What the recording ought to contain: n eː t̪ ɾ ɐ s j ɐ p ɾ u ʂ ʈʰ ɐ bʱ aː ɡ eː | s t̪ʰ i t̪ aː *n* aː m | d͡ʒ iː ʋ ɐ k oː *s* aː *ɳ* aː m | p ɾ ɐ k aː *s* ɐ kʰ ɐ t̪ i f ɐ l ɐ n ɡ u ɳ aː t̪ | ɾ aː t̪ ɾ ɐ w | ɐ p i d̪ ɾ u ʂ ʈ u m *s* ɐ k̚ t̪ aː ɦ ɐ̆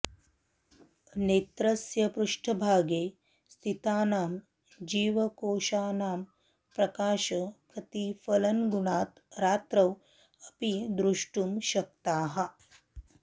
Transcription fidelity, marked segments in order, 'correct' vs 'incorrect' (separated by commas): correct, incorrect, incorrect, incorrect, incorrect